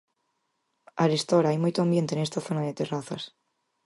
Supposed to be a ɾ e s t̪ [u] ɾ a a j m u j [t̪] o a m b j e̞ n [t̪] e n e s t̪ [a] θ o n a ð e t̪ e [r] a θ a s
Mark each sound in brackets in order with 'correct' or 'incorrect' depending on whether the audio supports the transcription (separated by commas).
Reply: incorrect, correct, correct, correct, correct